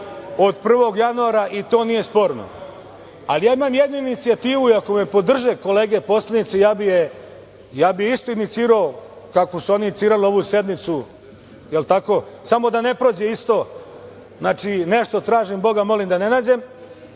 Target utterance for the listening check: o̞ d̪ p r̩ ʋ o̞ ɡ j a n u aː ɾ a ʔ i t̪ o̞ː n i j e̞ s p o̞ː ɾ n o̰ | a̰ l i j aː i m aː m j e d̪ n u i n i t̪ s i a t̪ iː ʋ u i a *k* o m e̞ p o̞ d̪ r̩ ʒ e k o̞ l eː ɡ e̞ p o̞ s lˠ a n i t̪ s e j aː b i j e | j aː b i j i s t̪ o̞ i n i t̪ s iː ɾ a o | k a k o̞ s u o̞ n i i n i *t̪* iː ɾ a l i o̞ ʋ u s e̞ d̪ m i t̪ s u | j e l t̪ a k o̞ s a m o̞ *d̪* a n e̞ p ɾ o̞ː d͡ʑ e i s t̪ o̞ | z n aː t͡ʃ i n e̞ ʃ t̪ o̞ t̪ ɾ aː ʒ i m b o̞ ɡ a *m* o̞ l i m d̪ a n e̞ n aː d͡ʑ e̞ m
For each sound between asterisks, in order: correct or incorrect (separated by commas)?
correct, correct, correct, correct